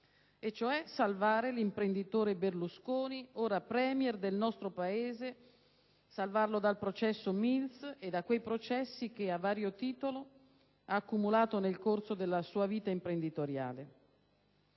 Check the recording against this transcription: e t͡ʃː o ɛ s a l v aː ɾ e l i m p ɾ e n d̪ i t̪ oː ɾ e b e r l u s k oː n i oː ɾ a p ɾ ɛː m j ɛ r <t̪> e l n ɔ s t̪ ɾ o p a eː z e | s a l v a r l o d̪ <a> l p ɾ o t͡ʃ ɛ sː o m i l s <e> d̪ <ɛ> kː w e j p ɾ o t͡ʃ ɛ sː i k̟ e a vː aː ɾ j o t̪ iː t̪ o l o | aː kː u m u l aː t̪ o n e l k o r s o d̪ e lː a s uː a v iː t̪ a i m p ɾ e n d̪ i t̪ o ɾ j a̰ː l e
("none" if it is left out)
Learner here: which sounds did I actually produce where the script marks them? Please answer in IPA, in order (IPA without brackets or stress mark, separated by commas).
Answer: d̪, a, e, a